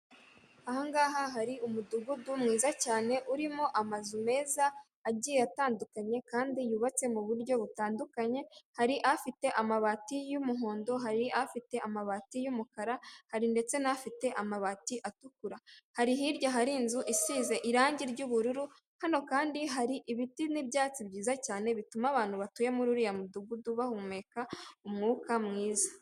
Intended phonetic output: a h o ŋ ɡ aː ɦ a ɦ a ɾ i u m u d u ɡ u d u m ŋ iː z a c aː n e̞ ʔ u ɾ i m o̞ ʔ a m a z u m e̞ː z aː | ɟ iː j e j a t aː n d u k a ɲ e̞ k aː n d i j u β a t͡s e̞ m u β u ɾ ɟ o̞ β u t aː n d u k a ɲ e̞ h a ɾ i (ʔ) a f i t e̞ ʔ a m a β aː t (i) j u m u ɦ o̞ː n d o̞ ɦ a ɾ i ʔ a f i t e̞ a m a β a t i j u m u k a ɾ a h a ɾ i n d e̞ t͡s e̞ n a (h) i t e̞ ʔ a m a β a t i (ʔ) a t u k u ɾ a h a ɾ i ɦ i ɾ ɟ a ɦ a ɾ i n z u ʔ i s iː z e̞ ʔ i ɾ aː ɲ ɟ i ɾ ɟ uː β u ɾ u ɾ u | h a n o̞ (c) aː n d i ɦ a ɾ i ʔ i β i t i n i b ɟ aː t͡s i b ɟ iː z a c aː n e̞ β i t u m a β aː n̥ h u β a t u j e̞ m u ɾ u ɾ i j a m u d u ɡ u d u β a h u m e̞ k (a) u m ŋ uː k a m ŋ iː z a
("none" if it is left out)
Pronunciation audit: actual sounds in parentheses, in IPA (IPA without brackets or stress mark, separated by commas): ʔ, i, f, ʔ, k, a